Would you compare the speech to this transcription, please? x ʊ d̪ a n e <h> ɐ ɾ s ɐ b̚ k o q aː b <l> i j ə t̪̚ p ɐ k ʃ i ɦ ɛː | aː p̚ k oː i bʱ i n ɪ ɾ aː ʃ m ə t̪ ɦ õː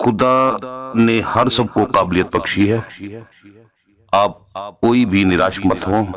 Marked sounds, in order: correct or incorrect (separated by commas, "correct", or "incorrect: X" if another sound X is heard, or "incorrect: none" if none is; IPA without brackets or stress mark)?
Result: correct, correct